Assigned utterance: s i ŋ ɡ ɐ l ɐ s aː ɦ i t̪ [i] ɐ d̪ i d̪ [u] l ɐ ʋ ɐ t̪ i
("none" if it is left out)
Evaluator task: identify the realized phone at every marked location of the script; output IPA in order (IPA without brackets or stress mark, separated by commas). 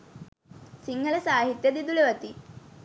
j, u